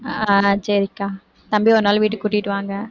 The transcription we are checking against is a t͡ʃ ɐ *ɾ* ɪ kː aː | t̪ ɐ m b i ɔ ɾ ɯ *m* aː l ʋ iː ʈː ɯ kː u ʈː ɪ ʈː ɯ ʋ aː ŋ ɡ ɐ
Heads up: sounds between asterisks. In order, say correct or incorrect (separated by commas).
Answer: correct, incorrect